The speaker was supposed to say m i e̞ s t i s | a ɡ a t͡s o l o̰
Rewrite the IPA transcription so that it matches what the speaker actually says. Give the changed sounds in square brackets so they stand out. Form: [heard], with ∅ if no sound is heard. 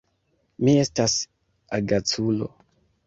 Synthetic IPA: m i e̞ s t [a] s | a ɡ a t͡s [u] l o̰